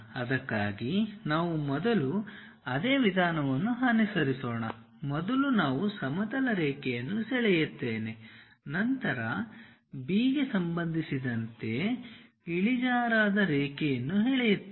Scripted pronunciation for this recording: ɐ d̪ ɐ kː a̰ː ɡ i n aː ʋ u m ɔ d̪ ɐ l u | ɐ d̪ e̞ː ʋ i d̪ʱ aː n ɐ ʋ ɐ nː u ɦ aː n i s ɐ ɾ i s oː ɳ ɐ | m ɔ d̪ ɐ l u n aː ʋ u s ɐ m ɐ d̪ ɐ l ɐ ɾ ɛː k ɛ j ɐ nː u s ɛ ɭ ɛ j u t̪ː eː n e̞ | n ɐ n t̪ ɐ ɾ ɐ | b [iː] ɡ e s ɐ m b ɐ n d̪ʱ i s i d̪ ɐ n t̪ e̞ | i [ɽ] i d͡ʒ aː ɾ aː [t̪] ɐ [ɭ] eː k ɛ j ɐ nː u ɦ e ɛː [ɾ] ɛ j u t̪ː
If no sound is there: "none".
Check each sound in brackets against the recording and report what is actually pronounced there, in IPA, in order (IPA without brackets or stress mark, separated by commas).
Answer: iː, ɭ, d̪, ɾ, ɭ